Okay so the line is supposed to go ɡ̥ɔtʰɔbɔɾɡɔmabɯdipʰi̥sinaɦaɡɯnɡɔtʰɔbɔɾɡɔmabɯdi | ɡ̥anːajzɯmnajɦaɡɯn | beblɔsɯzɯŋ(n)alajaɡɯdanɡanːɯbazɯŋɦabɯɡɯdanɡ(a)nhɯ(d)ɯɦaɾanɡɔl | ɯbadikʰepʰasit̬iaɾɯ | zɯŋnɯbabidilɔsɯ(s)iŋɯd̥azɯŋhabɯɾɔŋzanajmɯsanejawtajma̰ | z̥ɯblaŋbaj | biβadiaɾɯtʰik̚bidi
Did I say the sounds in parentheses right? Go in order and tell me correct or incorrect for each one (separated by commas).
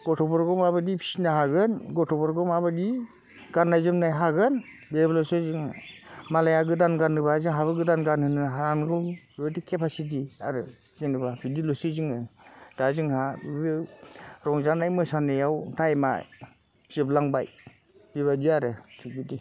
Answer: incorrect, correct, incorrect, incorrect